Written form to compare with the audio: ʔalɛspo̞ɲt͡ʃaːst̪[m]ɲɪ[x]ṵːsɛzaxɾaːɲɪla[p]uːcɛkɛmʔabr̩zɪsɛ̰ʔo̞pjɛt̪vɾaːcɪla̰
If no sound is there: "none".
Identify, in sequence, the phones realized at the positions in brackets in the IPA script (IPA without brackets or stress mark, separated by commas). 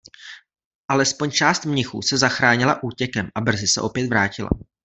m, x, ʔ